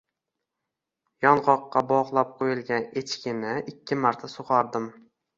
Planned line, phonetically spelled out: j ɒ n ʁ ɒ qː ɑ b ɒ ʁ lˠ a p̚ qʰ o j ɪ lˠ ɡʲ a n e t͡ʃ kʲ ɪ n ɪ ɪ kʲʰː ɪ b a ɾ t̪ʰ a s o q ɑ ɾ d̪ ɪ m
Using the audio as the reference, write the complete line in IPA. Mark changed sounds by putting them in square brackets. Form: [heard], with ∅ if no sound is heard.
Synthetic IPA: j ɒ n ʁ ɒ qː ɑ b ɒ ʁ lˠ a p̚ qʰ o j ɪ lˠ ɡʲ a n e t͡ʃ kʲ ɪ n ɪ ɪ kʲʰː ɪ [m] a ɾ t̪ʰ a s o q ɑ ɾ d̪ ɪ m